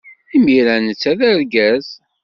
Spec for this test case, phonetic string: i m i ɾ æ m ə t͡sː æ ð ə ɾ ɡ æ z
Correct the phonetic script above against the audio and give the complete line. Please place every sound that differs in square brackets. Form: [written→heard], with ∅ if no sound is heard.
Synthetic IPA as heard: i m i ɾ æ [m→n] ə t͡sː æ ð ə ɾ ɡ æ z